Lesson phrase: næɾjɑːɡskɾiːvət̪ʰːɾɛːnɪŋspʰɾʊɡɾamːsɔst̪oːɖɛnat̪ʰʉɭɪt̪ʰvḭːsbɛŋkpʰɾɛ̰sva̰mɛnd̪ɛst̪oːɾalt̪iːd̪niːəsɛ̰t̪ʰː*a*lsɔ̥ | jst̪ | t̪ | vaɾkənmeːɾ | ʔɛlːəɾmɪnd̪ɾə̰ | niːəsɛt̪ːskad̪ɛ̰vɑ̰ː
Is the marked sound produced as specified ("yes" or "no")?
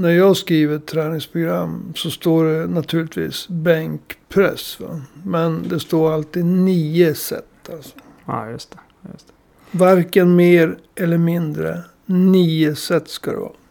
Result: yes